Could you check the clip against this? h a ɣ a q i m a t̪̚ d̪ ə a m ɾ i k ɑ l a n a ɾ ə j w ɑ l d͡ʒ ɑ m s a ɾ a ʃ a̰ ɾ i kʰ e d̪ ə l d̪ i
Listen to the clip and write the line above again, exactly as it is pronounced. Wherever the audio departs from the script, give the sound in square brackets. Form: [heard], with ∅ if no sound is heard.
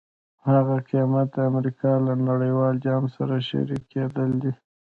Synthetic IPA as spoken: h a ɣ a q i m a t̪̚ d̪ ə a m ɾ i k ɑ l a n a [ɽ] ə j w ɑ l d͡ʒ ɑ m s a ɾ a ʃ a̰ ɾ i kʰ e d̪ ə l d̪ i